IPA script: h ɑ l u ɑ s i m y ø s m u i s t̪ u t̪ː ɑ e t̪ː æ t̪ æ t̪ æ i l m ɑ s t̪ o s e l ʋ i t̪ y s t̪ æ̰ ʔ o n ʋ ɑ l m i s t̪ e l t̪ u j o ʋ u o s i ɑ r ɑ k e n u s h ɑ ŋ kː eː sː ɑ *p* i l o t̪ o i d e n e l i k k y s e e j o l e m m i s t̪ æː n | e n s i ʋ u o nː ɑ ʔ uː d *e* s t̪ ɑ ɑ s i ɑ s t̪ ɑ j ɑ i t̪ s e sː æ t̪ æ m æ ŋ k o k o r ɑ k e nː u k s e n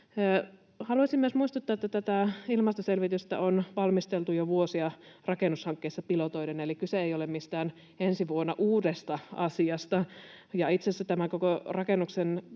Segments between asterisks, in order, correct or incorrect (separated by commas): correct, correct